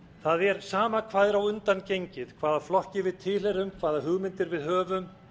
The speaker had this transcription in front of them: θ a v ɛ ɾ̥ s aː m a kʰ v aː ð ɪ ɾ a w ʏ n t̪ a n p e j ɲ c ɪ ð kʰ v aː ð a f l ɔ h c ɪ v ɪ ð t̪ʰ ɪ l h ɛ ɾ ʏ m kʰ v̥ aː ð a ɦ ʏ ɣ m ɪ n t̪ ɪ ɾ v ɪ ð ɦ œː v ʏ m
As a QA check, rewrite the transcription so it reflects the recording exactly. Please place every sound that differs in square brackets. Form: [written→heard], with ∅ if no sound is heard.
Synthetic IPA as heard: θ a [v→ð] ɛ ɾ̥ s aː m a kʰ v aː ð ɪ ɾ a w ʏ n t̪ a n [p→c] e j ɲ c ɪ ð kʰ v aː ð a f l ɔ h c ɪ v ɪ ð t̪ʰ ɪ l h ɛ ɾ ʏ m kʰ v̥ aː ð a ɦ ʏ ɣ m ɪ n t̪ ɪ ɾ v ɪ ð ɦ œː v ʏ m